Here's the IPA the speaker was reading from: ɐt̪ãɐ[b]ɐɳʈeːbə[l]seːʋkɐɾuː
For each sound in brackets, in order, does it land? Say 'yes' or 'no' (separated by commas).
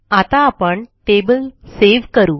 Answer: no, yes